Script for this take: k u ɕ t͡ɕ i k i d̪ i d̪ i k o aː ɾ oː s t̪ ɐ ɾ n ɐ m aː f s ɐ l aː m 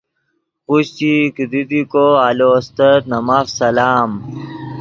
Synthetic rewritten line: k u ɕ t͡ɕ i k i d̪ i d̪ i k o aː l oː s t̪ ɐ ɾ n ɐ m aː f s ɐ l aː m